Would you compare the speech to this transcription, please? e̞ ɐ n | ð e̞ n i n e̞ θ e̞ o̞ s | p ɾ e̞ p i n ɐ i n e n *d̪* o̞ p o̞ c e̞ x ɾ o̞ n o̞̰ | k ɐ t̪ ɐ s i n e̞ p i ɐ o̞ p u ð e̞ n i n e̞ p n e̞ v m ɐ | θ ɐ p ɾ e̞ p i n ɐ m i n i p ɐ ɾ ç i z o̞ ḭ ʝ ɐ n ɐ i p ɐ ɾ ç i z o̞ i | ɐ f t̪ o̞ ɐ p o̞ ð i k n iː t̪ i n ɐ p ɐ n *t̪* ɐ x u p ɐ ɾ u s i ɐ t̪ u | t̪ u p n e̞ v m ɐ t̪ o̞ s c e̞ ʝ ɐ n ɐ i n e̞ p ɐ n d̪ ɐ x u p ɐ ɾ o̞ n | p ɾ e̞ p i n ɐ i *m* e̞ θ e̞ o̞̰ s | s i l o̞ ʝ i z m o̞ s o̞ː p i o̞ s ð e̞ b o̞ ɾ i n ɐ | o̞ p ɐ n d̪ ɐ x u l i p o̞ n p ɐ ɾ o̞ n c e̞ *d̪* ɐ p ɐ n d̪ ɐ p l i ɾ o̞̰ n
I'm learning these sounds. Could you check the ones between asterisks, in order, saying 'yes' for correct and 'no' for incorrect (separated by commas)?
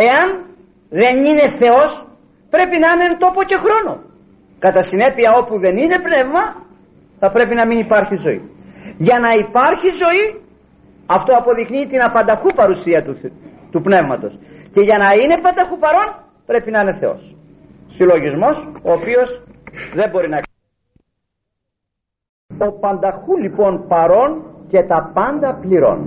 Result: no, no, no, no